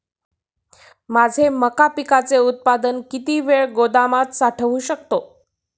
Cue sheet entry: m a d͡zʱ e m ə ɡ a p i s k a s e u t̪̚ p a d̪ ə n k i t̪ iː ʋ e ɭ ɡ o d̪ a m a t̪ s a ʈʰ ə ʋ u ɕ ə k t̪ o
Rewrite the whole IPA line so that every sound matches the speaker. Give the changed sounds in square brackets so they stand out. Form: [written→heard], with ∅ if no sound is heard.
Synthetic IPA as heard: m a d͡zʱ e m ə [ɡ→k] a p i [s→∅] k a [s→t͡s] e u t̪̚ p a d̪ ə n k i t̪ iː ʋ e ɭ ɡ o d̪ a m a t̪ s a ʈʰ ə ʋ u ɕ ə k t̪ o